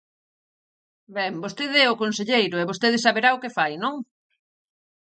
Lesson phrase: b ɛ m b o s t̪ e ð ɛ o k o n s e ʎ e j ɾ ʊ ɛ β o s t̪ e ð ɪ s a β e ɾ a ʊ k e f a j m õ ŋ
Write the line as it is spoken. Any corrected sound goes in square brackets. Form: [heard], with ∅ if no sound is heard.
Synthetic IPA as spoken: b ɛ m b o s t̪ e ð ɛ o k o n s e ʎ e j ɾ ʊ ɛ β o s t̪ e ð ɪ s a β e ɾ a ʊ k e f a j [n] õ ŋ